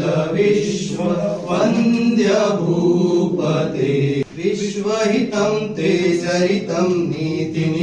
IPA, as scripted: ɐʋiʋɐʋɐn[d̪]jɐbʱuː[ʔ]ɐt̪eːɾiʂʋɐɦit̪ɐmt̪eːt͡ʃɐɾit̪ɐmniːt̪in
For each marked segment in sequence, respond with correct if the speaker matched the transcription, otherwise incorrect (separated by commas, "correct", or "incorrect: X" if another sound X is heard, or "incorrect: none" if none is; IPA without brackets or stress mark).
correct, incorrect: p